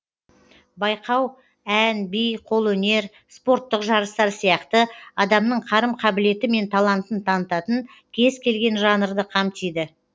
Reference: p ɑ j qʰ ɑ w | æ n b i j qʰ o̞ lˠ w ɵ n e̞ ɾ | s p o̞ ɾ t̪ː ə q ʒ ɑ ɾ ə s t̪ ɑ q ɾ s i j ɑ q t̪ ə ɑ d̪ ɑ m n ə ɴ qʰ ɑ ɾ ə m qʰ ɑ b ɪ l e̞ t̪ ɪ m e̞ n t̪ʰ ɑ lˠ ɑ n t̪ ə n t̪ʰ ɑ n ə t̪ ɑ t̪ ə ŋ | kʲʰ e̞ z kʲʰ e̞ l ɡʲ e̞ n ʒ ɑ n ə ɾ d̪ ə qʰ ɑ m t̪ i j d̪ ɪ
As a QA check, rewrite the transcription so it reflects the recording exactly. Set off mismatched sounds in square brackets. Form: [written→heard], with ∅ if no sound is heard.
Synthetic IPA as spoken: [p→b] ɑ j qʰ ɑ w | æ n b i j qʰ o̞ lˠ w ɵ n e̞ ɾ | s p o̞ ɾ t̪ː ə q ʒ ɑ ɾ ə s t̪ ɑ [q→∅] ɾ s i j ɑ q t̪ ə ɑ d̪ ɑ m n ə ɴ qʰ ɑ ɾ ə m qʰ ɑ b ɪ l e̞ t̪ ɪ m e̞ n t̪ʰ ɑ lˠ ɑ n t̪ ə n t̪ʰ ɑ n ə t̪ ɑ t̪ ə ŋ | kʲʰ e̞ z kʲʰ e̞ l ɡʲ e̞ n ʒ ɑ n ə ɾ d̪ ə qʰ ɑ m t̪ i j d̪ ɪ